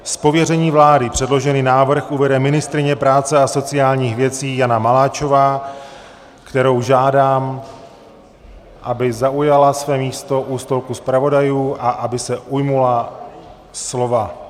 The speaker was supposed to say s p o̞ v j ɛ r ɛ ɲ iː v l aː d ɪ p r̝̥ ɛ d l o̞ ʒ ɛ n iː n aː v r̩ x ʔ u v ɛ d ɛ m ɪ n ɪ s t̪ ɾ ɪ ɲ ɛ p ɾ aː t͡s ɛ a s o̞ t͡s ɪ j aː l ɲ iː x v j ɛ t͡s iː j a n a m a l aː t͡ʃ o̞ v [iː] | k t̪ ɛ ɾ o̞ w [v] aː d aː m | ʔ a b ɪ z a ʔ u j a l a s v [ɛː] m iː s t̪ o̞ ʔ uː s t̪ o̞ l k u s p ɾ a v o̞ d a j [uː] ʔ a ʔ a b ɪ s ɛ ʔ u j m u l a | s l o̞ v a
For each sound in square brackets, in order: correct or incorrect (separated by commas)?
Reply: incorrect, incorrect, correct, correct